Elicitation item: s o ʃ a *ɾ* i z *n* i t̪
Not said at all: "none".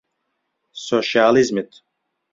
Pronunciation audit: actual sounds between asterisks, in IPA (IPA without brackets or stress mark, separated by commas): l, m